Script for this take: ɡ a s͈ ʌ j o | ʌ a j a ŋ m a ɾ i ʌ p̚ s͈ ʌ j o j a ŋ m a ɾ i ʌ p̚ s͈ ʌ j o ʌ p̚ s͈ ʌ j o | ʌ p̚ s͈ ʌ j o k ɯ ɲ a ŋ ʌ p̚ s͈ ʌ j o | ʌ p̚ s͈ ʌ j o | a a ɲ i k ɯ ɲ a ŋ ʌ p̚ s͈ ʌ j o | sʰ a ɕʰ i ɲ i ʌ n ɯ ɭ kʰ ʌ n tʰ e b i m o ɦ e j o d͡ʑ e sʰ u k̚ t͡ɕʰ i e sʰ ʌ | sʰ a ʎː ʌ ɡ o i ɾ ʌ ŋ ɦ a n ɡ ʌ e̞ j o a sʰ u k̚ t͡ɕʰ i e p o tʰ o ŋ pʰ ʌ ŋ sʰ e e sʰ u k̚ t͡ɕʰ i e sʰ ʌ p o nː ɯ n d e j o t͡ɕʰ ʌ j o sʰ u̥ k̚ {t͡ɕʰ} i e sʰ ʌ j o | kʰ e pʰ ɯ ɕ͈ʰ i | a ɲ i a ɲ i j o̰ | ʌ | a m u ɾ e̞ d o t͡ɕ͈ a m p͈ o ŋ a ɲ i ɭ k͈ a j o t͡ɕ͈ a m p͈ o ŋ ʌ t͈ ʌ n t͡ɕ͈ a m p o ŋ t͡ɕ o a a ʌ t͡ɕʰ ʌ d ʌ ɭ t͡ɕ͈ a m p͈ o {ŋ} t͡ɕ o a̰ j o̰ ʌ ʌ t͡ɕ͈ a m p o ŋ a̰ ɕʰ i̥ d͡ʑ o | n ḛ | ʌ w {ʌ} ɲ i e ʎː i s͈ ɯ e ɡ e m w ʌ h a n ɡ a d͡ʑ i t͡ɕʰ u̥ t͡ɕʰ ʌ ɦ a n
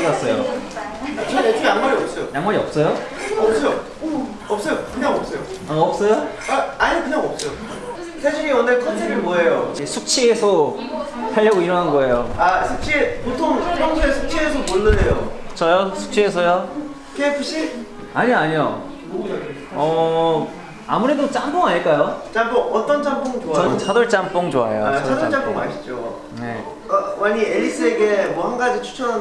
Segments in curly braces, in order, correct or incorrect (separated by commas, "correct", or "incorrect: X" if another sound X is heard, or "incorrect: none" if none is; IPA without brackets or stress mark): correct, correct, incorrect: a